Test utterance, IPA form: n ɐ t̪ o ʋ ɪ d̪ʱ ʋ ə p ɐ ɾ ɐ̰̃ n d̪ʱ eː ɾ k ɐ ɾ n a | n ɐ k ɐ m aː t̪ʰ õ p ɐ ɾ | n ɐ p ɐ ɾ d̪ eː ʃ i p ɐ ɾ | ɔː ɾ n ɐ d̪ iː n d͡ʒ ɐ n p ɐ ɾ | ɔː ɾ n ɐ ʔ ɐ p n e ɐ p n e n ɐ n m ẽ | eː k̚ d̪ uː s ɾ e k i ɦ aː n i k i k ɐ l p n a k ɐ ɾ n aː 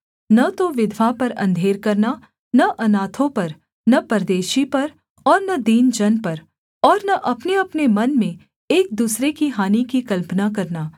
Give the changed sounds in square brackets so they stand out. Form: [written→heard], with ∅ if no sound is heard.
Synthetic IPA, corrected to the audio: n ɐ t̪ o ʋ ɪ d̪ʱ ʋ [ə→a] p ɐ ɾ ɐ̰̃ n d̪ʱ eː ɾ k ɐ ɾ n a | n ɐ [k→ʔ] ɐ [m→n] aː t̪ʰ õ p ɐ ɾ | n ɐ p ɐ ɾ d̪ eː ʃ i p ɐ ɾ | ɔː ɾ n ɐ d̪ iː n d͡ʒ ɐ n p ɐ ɾ | ɔː ɾ n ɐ ʔ ɐ p n e ɐ p n e [n→m] ɐ n m ẽ | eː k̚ d̪ uː s ɾ e k i ɦ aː n i k i k ɐ l p n a k ɐ ɾ n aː